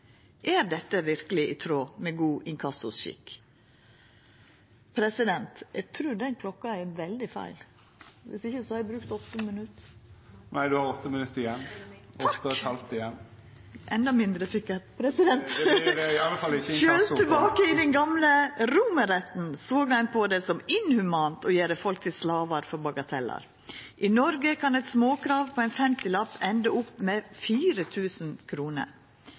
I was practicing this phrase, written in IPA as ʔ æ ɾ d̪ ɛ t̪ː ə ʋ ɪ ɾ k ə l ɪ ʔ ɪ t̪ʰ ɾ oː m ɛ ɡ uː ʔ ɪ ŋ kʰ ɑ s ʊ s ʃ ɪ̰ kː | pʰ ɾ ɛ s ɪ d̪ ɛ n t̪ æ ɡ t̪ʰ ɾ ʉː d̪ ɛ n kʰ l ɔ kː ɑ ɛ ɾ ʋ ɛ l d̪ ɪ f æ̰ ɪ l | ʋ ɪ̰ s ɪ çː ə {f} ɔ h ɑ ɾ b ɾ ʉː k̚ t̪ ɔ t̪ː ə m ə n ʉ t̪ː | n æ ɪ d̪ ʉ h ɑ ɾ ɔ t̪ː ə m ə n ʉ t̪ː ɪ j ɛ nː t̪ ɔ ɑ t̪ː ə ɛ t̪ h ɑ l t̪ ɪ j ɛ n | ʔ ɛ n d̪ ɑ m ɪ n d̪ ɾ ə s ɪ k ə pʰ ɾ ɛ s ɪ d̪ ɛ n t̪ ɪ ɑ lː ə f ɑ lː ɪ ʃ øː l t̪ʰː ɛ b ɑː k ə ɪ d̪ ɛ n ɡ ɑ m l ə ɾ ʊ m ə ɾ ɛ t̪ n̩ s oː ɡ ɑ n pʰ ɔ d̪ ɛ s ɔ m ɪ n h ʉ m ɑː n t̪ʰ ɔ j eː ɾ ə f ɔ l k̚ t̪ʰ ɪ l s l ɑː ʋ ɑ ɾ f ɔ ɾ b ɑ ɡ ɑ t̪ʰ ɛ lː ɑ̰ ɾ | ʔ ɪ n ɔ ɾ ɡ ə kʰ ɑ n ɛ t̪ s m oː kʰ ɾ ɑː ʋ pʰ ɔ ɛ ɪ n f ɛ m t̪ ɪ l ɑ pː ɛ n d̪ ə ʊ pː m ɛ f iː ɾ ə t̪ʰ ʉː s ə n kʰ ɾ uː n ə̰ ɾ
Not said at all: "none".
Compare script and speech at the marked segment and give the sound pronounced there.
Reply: s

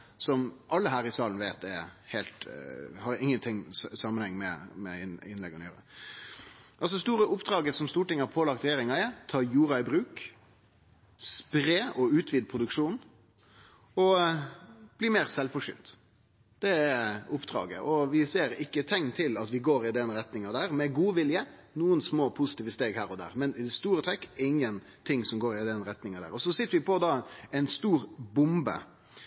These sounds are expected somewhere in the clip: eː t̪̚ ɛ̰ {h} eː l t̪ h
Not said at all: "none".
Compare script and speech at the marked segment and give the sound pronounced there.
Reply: h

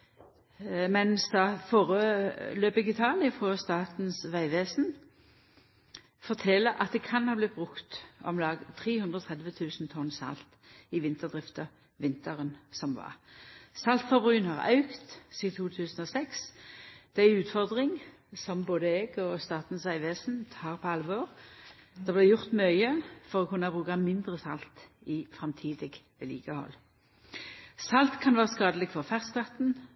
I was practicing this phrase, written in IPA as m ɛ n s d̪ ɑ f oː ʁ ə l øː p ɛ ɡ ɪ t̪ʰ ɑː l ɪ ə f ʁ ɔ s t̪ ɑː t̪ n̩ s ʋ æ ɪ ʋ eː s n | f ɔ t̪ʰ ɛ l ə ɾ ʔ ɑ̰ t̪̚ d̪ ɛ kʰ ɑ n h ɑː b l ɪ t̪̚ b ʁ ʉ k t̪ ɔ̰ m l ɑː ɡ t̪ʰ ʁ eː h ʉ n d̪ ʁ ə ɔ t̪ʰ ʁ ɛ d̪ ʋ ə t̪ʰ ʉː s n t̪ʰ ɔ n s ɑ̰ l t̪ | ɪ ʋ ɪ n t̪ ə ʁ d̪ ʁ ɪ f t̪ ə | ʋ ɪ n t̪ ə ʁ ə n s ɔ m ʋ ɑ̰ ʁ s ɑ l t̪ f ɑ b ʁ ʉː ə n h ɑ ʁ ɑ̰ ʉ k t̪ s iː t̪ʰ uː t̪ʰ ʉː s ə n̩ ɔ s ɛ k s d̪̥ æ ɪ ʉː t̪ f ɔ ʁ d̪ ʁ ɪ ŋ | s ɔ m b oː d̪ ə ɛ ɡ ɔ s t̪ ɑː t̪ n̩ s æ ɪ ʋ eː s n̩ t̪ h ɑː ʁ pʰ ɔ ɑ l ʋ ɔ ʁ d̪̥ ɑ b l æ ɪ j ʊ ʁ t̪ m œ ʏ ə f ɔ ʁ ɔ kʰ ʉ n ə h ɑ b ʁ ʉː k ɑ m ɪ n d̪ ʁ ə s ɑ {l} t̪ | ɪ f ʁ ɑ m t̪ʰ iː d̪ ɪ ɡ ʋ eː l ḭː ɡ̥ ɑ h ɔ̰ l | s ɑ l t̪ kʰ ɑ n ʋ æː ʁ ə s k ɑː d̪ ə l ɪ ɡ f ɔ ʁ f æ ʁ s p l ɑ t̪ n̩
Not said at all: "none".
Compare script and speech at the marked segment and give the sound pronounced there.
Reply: l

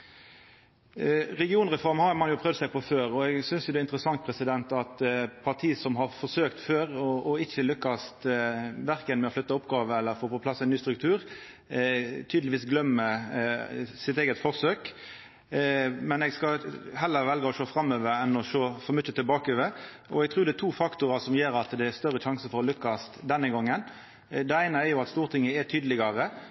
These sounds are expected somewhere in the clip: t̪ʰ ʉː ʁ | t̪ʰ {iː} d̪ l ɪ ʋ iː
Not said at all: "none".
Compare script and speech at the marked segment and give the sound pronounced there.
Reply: yː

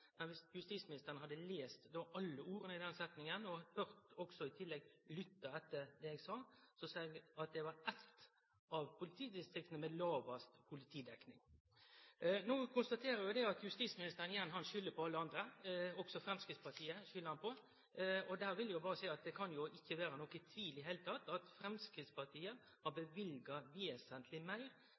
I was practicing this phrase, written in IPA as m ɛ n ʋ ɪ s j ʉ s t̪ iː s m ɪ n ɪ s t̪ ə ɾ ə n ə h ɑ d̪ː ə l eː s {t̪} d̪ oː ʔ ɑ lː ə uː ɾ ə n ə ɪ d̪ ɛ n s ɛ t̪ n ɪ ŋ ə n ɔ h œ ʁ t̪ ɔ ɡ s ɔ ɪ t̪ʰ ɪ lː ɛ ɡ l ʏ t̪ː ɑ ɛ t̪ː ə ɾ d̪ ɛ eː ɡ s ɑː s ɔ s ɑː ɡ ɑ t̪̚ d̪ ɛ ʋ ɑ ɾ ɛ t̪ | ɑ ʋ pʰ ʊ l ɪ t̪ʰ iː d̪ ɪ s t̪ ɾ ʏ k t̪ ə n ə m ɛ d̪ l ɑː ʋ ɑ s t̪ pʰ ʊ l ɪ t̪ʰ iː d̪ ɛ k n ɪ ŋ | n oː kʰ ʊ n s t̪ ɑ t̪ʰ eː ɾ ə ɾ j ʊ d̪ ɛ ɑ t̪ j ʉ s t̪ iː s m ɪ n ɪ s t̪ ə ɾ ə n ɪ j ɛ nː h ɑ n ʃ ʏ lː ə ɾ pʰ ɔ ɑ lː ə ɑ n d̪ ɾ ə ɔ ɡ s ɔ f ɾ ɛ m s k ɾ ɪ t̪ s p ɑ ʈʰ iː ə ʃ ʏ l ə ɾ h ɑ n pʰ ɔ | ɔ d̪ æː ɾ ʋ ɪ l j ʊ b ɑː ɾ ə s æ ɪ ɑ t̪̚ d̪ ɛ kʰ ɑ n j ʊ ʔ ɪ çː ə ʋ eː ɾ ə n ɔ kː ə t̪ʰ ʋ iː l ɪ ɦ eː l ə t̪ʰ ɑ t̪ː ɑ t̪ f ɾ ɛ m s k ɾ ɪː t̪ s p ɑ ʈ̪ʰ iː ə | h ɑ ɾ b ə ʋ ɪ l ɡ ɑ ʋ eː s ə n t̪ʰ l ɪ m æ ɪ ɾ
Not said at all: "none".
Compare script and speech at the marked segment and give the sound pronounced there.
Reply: t̪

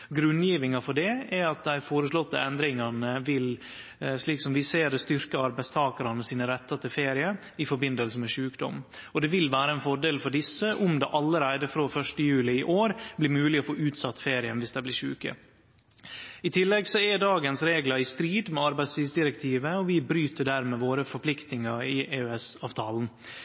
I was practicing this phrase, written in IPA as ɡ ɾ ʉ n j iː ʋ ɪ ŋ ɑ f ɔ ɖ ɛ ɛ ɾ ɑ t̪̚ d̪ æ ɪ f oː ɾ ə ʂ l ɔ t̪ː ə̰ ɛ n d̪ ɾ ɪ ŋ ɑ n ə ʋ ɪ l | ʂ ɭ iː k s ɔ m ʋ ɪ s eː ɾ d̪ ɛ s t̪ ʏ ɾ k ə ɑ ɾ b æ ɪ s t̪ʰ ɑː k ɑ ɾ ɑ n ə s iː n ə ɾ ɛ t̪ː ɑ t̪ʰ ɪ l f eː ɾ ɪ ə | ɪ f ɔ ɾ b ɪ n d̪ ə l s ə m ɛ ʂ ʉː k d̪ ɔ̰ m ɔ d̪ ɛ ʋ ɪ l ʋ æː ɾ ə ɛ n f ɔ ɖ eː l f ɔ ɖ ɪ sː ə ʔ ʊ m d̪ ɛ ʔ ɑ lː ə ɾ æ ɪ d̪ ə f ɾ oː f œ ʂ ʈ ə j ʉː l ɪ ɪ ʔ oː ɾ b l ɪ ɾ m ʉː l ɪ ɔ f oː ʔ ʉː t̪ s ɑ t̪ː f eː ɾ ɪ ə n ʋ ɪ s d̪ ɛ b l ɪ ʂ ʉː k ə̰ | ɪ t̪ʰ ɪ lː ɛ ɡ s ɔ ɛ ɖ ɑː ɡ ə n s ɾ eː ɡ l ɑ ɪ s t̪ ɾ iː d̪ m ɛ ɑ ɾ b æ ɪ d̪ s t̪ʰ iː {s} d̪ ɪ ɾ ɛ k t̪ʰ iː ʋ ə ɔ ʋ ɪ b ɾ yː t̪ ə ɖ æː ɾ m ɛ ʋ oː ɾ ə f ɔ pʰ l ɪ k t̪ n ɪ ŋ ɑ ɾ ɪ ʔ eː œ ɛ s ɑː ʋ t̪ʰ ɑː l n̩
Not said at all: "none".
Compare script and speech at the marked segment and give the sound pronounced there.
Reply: s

